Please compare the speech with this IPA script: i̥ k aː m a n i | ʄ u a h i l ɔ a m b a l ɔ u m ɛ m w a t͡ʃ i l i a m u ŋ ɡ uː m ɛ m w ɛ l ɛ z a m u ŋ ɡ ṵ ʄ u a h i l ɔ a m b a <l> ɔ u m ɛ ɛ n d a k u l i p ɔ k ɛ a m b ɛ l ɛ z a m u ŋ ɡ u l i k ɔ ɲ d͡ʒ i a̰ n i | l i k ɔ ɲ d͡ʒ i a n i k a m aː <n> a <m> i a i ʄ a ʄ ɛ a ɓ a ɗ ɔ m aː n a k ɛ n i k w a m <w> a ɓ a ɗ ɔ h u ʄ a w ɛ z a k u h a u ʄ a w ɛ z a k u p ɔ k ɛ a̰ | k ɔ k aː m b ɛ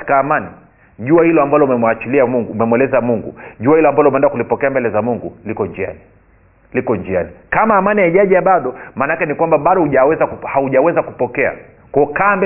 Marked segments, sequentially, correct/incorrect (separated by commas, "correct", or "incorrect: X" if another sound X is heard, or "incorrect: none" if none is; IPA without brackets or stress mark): correct, incorrect: m, incorrect: n, incorrect: b